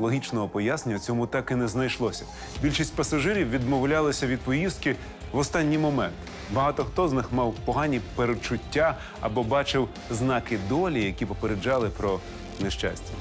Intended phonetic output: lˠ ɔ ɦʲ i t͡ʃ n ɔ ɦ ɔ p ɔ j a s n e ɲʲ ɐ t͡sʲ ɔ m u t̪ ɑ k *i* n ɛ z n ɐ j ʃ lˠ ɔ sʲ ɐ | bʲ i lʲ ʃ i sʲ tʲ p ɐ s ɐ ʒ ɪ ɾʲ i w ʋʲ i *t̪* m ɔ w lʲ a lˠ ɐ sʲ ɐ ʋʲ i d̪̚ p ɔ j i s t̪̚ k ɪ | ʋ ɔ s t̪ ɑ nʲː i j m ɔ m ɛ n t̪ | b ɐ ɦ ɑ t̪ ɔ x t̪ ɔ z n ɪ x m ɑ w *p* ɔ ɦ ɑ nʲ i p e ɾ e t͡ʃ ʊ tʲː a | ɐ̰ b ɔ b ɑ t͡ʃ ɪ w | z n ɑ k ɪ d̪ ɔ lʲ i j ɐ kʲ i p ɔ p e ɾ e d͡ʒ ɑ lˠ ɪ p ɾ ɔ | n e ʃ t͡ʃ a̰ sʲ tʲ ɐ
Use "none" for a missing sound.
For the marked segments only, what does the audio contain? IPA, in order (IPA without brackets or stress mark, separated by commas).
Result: ɪ, d̪, p